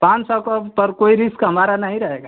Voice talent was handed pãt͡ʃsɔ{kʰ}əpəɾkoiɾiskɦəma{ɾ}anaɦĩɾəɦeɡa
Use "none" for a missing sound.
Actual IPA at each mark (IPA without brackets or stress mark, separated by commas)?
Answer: k, ɾ